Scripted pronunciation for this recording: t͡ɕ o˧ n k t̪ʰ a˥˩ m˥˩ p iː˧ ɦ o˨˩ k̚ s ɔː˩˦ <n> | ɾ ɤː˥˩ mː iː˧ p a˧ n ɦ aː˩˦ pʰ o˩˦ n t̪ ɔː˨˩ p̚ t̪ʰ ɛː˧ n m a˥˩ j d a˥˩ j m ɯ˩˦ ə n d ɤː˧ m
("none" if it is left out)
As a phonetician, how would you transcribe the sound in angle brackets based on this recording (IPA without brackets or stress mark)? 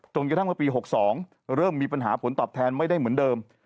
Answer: ŋ